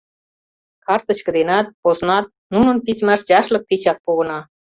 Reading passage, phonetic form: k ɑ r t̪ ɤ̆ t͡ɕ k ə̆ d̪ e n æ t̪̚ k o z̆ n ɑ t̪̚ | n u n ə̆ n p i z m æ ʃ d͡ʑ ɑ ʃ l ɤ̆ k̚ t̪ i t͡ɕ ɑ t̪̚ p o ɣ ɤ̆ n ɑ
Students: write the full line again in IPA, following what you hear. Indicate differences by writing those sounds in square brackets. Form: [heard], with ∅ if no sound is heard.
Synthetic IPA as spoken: k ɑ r t̪ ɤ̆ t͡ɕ k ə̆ d̪ e n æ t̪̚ [p] o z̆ n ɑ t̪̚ | n u n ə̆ n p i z m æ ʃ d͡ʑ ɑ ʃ l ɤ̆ k̚ t̪ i t͡ɕ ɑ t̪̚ p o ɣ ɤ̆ n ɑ